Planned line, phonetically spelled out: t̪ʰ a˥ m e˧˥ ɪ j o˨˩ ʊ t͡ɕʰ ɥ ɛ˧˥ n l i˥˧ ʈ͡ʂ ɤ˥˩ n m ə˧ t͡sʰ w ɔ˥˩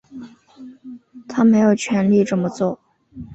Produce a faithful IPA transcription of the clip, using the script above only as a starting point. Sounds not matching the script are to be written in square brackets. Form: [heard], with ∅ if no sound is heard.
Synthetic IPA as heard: t̪ʰ a˥ m e˧˥ ɪ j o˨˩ ʊ t͡ɕʰ ɥ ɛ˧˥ n l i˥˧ ʈ͡ʂ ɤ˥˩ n m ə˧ [t͡s] w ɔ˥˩